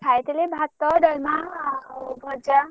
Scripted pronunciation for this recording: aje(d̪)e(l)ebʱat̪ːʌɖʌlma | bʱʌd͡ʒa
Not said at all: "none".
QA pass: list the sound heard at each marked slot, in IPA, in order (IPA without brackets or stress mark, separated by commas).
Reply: t̪, l